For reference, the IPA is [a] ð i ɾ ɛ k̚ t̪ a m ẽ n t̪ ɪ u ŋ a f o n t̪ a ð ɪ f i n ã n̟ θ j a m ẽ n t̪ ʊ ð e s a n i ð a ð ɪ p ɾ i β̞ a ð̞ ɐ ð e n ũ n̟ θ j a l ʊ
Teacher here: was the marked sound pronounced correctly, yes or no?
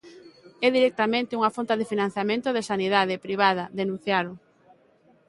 no